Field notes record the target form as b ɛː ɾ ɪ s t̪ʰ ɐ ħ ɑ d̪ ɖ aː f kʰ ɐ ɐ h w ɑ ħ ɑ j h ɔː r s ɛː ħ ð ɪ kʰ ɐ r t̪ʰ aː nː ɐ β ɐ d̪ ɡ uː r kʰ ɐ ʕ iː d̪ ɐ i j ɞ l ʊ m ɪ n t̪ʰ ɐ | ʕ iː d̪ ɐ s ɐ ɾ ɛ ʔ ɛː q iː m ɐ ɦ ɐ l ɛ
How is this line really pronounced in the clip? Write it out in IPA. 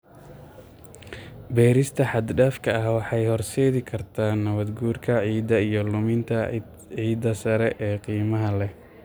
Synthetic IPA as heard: b ɛː ɾ ɪ s t̪ʰ ɐ ħ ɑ d̪ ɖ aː f kʰ ɐ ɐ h w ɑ ħ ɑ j h ɔ r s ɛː ð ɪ kʰ ɐ r t̪ʰ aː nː ɐ β ɐ d̪ ɡ uː r kʰ ɐ ʕ iː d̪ ɐ i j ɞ l ʊ m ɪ n t̪ʰ ɐ | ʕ iː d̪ ɐ s ɐ ɾ ɛ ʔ ɛː q iː m ɐ ɦ ɐ l ɛ